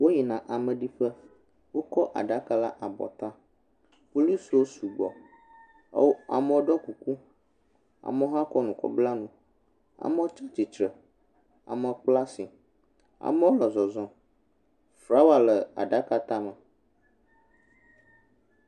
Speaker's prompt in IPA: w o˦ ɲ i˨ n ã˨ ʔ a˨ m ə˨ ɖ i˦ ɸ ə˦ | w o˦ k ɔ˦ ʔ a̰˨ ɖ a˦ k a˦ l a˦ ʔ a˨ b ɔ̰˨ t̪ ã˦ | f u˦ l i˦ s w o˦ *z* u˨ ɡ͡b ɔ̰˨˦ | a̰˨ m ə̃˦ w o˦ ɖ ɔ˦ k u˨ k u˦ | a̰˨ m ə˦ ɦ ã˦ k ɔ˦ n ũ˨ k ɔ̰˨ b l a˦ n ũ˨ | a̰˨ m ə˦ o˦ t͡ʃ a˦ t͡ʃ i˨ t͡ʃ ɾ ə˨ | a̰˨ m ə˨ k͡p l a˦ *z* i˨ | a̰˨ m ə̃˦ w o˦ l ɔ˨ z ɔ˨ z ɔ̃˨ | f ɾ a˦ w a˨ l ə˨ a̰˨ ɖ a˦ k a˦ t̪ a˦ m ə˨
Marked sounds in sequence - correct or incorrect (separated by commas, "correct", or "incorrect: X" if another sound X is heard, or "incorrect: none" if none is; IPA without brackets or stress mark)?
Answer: incorrect: s, incorrect: s